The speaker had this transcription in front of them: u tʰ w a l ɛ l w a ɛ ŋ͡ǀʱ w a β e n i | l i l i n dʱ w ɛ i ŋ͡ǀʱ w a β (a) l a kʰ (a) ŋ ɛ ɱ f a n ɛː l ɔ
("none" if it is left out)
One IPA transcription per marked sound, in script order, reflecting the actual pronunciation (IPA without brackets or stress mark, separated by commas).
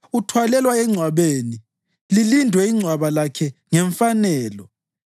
a, ɛ